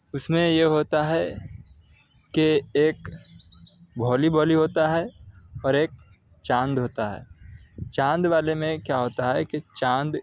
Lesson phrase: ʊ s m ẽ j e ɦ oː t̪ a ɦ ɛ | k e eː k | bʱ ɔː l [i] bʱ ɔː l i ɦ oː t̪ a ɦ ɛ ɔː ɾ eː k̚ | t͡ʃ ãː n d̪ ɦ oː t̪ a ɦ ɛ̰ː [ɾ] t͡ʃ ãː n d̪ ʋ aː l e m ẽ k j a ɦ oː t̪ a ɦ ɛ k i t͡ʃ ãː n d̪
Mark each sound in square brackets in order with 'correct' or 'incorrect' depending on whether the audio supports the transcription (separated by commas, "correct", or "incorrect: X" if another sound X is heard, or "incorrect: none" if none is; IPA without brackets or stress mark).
correct, incorrect: none